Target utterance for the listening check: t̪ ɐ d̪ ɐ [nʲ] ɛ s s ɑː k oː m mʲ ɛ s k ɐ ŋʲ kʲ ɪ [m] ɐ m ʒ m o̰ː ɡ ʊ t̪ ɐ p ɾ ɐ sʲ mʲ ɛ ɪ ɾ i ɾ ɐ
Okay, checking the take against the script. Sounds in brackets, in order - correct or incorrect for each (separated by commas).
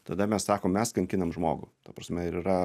incorrect, incorrect